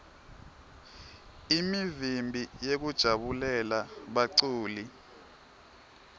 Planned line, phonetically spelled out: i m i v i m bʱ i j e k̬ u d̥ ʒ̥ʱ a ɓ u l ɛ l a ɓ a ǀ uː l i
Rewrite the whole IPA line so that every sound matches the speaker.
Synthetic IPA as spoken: i m i v i m bʱ i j e k̬ u d̥ ʒ̥ʱ a ɓ u l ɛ l a ɓ a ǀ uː l i